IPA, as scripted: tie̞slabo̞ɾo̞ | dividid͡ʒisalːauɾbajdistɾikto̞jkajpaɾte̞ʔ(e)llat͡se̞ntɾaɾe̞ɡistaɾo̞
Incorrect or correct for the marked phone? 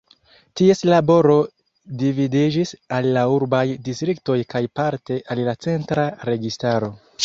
incorrect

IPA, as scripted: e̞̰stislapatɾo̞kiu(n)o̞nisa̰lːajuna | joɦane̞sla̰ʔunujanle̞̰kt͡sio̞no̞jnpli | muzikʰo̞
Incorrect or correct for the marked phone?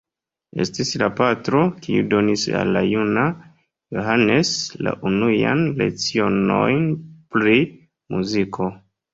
incorrect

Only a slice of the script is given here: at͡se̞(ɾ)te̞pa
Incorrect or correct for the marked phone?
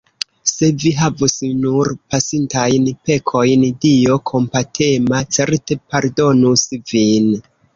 correct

